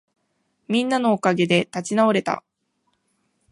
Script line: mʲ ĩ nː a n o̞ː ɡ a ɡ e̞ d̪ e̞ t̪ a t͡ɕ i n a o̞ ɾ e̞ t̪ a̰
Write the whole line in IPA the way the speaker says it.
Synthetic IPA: mʲ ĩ nː a n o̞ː k a ɡ e̞ d̪ e̞ t̪ a t͡ɕ i n a o̞ ɾ e̞ t̪ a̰